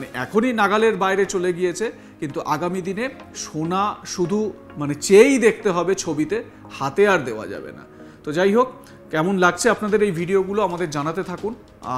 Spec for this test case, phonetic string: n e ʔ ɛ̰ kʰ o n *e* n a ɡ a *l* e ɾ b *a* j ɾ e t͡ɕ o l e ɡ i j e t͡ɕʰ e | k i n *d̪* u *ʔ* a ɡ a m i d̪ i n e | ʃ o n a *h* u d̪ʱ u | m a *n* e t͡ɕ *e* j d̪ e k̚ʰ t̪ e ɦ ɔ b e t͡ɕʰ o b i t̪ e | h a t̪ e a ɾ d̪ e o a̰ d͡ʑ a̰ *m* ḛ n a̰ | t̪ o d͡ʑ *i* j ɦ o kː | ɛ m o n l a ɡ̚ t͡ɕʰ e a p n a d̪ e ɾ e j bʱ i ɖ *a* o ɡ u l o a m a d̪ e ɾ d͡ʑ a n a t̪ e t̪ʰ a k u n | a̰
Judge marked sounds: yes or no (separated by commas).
no, yes, yes, no, yes, no, yes, yes, no, no, no